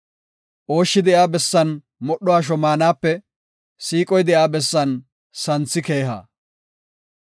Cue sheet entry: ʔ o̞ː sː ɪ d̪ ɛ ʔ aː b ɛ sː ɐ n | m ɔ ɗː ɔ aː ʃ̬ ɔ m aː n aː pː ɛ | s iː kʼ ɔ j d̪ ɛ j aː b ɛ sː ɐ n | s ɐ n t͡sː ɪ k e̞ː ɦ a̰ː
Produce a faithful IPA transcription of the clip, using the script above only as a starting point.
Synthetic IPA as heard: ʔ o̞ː ʃː ɪ d̪ ɛ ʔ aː b ɛ sː ɐ n | m ɔ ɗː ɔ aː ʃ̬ ɔ m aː n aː pː ɛ | s iː kʼ ɔ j d̪ ɛ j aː b ɛ sː ɐ n | s ɐ n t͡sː ɪ k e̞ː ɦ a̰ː